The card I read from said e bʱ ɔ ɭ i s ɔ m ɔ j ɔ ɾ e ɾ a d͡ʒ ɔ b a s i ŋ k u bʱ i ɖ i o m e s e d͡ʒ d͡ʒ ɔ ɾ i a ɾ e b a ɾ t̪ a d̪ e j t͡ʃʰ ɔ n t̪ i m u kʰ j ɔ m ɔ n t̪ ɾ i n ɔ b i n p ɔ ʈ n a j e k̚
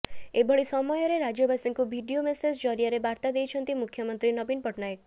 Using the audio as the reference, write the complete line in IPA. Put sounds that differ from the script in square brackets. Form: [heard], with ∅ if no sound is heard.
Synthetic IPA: e bʱ ɔ ɭ i s ɔ m ɔ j ɔ ɾ e ɾ a d͡ʒ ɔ b a s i ŋ k u bʱ i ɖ i o m e s e d͡ʒ d͡ʒ ɔ ɾ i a ɾ e b a ɾ t̪ a d̪ e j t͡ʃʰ ɔ n t̪ i m u kʰ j ɔ m ɔ n t̪ ɾ i n ɔ b i n p ɔ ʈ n a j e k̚